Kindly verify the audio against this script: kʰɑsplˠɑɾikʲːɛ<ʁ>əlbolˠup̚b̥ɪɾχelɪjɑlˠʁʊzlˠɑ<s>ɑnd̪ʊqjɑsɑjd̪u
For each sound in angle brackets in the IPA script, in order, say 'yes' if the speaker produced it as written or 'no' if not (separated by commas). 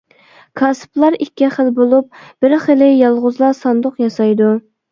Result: no, yes